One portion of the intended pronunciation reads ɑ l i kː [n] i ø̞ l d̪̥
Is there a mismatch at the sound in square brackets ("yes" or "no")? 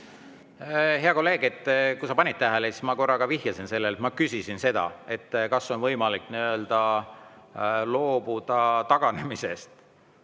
no